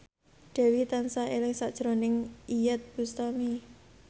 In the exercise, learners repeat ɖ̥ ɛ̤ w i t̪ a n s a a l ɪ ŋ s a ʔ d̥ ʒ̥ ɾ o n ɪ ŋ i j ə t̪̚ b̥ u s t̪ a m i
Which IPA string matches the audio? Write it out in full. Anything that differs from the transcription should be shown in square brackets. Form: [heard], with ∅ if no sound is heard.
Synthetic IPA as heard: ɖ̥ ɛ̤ w i t̪ a n s a [e] l ɪ ŋ s a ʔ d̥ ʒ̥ ɾ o n ɪ ŋ i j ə t̪̚ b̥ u s t̪ a m i